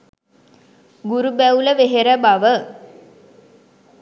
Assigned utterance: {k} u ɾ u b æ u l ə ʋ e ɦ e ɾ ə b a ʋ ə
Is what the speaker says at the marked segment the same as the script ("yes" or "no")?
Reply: no